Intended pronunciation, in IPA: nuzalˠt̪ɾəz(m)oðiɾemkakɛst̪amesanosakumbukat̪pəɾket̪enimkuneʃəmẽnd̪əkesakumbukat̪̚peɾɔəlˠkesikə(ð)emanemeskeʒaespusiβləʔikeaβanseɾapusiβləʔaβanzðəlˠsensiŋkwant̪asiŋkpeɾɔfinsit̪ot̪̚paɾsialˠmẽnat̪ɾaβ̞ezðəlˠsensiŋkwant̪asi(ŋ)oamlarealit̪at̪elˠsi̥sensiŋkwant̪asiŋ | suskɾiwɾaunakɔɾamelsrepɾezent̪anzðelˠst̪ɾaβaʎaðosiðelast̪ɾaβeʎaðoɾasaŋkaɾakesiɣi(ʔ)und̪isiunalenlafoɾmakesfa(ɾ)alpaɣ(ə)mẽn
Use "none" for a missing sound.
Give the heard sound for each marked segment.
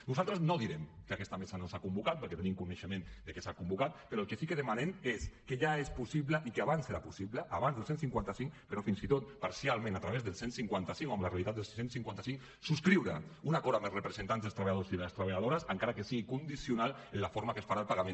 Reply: n, ð, ŋ, k, ɾ, a

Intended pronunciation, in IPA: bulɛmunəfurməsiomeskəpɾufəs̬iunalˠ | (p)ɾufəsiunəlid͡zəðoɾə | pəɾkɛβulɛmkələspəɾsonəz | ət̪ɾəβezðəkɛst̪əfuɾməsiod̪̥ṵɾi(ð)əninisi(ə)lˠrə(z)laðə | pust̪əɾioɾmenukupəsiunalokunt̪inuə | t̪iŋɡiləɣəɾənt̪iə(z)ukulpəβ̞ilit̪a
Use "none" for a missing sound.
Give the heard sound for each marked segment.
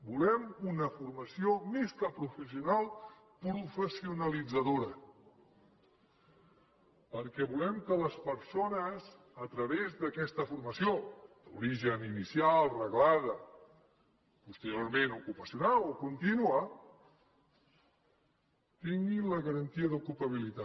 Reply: p, ʒ, a, ɣ, ð

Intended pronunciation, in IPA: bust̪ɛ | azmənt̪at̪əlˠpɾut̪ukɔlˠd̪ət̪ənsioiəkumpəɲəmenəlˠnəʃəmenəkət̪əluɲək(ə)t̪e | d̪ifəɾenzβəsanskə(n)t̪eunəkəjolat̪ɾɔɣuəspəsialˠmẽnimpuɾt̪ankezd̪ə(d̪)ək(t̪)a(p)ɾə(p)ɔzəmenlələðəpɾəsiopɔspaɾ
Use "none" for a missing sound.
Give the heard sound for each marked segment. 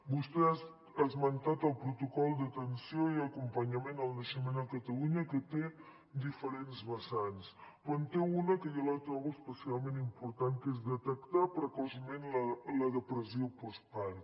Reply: ə, n, t̪, t̪, p, k

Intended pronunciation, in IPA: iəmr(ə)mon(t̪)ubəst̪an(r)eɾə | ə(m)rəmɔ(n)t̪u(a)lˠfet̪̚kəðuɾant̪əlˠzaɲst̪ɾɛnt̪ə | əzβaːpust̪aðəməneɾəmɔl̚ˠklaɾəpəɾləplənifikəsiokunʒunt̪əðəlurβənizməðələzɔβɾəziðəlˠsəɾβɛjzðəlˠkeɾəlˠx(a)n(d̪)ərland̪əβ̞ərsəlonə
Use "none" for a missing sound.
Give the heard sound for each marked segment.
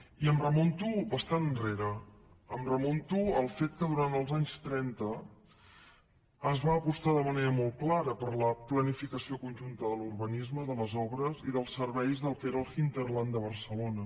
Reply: ə, t̪, r, m, n, ə, i, t̪

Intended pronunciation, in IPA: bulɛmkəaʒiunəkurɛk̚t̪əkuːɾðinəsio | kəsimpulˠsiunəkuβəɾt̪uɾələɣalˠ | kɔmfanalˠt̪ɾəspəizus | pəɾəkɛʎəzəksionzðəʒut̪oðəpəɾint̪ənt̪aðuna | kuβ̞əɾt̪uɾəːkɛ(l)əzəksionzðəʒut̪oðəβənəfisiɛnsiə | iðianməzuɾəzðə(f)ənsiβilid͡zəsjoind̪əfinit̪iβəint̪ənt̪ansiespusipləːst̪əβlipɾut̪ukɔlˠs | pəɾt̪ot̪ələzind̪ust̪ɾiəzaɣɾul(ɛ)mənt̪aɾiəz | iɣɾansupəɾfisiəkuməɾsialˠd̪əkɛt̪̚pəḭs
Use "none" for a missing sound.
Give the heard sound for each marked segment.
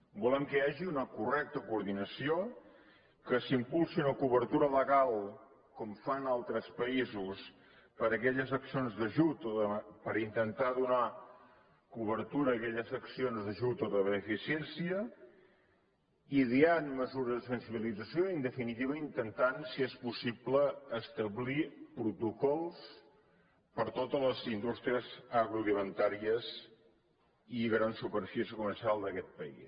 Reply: ʎ, s, i

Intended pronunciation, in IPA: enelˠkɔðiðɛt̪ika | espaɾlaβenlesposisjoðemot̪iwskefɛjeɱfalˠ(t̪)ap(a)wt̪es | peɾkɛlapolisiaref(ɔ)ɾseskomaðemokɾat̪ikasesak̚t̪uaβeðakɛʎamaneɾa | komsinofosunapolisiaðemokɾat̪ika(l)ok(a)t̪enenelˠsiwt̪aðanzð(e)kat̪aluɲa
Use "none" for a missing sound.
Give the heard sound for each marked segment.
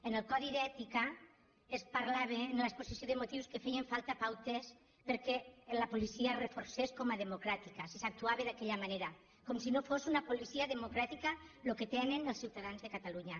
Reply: t̪, a, o, l, e, e

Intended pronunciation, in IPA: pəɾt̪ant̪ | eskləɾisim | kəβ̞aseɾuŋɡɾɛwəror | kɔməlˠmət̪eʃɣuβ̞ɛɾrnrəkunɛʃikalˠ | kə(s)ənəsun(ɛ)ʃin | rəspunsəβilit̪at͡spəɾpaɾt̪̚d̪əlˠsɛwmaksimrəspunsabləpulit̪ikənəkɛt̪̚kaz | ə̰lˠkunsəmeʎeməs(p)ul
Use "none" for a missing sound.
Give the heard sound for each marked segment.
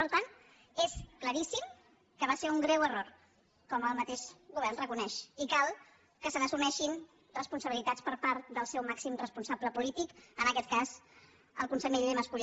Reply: s, ɛ, k

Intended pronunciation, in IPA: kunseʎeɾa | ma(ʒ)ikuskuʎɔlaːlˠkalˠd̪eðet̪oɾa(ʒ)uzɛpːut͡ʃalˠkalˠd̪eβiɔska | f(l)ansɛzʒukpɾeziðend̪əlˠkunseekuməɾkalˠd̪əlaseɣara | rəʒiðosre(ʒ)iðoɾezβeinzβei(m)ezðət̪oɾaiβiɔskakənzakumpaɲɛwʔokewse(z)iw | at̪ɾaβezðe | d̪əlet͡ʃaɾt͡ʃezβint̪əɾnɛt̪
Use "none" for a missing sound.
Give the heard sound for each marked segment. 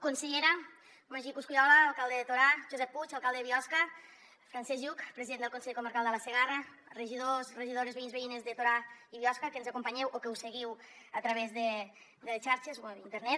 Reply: ʒ, ʒ, ɾ, ʒ, n, ɣ

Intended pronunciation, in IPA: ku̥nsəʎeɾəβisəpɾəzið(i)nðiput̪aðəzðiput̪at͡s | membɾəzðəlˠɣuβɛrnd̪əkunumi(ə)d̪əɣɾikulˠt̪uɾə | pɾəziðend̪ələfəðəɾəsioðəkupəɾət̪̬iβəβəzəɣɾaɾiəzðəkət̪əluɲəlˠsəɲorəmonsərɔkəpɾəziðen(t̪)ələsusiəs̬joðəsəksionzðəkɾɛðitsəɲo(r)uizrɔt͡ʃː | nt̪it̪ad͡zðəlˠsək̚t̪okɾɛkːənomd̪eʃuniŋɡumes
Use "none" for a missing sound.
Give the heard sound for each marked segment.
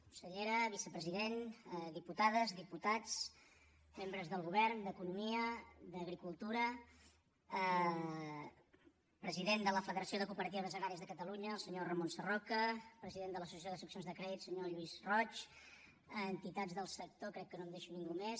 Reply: e, ə, d̪, ʎ

